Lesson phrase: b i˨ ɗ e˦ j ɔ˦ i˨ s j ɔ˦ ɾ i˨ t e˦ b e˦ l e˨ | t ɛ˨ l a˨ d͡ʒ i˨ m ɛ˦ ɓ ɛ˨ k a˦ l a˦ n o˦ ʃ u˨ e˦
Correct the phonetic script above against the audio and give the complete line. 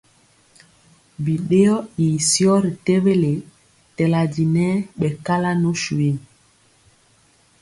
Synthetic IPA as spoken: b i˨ ɗ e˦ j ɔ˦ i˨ s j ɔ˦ ɾ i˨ t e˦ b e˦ l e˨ | t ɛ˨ l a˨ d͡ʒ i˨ n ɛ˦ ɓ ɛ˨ k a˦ l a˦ n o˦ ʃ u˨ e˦